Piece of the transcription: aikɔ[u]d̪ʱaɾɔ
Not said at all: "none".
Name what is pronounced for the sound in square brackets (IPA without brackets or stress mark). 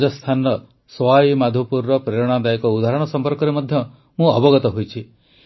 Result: u